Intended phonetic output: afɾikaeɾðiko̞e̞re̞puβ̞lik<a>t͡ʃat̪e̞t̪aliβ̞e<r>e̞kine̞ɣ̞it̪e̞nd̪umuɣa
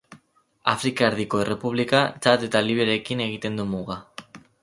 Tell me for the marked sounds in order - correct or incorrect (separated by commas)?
correct, incorrect